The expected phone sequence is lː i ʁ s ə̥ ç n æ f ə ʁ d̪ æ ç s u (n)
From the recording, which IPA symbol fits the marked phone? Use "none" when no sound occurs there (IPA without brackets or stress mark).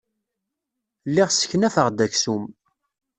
m